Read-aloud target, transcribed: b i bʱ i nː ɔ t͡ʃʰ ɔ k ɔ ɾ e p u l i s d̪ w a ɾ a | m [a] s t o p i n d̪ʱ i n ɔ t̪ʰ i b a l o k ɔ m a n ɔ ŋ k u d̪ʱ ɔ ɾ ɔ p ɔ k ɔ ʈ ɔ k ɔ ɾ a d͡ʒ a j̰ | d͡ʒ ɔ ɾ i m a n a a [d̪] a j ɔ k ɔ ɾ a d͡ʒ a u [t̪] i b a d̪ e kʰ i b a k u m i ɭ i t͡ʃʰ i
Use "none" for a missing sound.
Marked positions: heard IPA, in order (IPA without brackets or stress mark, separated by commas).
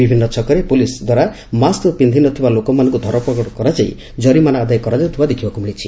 a, d̪, t̪ʰ